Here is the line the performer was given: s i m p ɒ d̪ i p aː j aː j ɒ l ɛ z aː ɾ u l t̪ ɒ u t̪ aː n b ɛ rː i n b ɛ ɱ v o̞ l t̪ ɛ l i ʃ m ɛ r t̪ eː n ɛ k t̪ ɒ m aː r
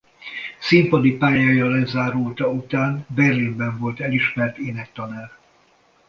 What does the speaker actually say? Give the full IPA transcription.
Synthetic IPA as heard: s i m p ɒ d̪ i p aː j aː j ɒ l ɛ z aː ɾ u l t̪ ɒ u t̪ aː n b ɛ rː i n b ɛ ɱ v o̞ l t̪ ɛ l i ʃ m ɛ r t̪ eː n ɛ k t̪ ɒ n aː r